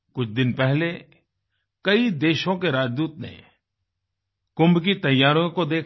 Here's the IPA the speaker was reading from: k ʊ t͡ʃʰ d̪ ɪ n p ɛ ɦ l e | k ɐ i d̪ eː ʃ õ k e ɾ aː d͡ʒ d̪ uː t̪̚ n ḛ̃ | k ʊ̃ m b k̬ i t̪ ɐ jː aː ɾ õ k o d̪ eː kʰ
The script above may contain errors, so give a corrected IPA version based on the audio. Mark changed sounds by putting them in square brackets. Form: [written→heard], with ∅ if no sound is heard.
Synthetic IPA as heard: k ʊ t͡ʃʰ d̪ ɪ n p ɛ ɦ l e | k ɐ i d̪ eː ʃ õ k e ɾ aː d͡ʒ d̪ uː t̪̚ n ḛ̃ | k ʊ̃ m b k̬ i t̪ ɐ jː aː ɾ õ k o d̪ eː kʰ